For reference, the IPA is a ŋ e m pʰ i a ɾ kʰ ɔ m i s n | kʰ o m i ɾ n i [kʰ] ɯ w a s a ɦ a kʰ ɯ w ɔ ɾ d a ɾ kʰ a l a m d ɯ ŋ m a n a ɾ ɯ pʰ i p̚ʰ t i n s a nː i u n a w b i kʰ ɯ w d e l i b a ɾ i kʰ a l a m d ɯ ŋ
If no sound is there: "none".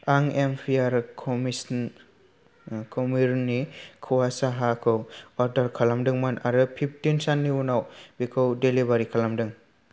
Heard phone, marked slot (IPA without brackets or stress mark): kʰ